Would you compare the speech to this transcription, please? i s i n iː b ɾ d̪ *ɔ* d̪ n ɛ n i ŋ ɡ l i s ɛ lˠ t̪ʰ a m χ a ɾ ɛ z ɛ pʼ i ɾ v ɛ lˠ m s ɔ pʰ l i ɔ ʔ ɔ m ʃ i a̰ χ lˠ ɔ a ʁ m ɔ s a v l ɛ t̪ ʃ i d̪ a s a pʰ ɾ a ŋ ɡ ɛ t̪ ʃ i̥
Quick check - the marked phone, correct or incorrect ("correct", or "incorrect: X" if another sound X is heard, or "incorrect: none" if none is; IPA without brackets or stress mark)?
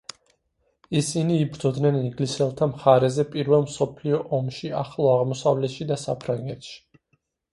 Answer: correct